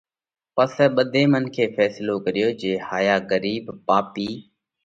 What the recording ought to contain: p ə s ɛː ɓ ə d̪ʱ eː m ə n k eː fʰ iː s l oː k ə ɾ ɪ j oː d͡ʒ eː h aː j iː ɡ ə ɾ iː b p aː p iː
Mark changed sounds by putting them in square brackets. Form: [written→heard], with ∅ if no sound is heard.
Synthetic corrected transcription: p ə s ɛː ɓ ə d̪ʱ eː m ə n [k→kʰ] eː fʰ [iː→ɛː] s l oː k ə ɾ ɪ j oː d͡ʒ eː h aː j [iː→aː] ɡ ə ɾ iː b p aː p iː